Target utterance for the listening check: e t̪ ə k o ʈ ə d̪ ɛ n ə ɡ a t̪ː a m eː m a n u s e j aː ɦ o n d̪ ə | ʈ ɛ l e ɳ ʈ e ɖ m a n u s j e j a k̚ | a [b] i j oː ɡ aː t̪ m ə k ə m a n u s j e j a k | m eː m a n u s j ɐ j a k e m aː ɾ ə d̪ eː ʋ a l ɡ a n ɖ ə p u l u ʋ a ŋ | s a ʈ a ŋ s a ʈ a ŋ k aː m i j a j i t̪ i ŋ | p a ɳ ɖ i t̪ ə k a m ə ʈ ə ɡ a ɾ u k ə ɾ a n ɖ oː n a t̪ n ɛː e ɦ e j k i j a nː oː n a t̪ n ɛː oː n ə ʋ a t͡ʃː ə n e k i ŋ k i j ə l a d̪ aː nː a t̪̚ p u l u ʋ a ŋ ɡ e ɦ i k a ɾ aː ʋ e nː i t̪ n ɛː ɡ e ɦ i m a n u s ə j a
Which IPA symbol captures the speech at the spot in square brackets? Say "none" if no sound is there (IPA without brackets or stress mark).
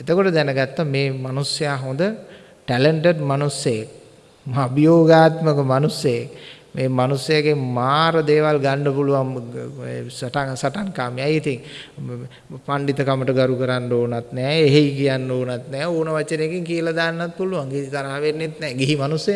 b